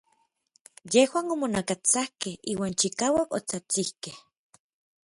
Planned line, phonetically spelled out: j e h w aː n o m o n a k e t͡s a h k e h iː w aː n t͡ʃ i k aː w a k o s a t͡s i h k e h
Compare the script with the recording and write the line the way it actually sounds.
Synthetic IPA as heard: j e h w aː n o m o n a k a t͡s a h k e h iː w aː n t͡ʃ i k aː w a k o t͡s a t͡s i h k e h